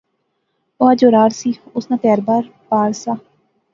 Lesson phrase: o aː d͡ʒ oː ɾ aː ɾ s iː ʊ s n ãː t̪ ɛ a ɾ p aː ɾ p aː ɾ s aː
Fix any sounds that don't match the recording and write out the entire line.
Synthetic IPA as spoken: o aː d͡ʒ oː ɾ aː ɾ s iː ʊ s n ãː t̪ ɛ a ɾ b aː ɾ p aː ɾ s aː